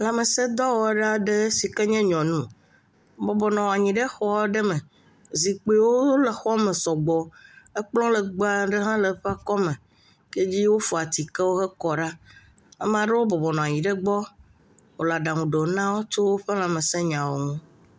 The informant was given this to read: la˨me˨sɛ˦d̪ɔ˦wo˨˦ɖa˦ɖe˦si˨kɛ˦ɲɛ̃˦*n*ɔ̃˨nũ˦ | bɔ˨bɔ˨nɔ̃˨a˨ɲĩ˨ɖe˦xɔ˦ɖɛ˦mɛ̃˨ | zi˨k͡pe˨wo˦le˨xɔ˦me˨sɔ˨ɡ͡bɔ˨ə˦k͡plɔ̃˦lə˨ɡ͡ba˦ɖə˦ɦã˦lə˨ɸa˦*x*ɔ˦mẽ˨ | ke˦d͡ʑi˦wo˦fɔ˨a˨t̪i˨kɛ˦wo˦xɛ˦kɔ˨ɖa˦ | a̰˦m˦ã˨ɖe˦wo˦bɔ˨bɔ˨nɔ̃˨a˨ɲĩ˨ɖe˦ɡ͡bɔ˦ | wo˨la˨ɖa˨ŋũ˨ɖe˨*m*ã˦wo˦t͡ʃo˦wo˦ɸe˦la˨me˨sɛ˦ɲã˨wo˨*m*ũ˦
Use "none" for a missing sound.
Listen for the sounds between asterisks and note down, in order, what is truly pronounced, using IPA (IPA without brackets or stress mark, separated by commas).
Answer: ɲ, k, n, ŋ